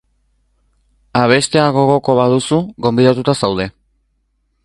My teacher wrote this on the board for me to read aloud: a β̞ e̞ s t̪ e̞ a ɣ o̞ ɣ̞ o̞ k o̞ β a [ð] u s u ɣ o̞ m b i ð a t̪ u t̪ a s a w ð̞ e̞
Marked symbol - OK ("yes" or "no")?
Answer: yes